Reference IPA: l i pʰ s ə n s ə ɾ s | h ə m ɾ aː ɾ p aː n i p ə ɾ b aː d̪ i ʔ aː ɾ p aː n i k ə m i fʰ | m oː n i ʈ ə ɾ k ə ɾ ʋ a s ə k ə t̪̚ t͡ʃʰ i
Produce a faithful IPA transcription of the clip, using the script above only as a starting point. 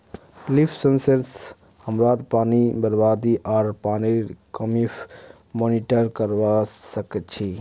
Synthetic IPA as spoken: l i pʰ s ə n s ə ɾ s | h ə m ɾ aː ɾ p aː n i b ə ɾ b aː d̪ i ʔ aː ɾ p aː n i k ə m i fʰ | m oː n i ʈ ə ɾ k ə ɾ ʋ a s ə k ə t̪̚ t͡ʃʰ i